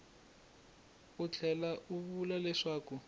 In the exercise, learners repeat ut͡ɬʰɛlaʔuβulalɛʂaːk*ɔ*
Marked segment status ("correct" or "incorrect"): incorrect